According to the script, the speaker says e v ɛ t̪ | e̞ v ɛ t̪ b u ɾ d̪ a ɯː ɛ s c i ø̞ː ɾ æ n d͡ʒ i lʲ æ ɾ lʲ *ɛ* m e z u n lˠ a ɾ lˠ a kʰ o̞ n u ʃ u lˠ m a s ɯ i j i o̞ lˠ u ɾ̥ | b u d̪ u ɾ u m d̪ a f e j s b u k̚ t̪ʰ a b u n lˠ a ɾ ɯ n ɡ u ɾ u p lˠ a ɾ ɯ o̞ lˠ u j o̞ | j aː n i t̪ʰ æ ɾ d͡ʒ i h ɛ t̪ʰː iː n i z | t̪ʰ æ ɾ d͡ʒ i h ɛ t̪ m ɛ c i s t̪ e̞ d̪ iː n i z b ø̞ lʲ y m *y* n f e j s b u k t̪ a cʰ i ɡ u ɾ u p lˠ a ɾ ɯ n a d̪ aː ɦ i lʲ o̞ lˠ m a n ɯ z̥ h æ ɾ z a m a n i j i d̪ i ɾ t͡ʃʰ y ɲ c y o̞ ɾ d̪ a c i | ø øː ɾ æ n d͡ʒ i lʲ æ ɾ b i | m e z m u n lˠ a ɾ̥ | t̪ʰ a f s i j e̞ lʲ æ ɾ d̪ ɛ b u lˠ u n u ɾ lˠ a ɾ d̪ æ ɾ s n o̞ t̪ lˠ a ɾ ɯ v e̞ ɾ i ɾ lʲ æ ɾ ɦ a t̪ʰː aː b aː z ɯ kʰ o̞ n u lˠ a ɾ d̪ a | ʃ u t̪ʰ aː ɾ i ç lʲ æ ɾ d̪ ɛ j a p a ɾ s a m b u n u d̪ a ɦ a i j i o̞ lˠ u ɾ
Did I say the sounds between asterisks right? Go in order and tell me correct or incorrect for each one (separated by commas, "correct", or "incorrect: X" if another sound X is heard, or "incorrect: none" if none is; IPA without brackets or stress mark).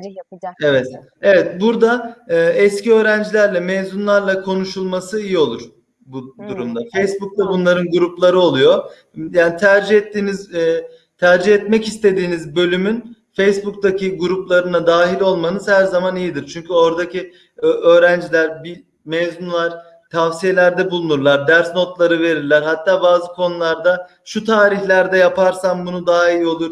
correct, correct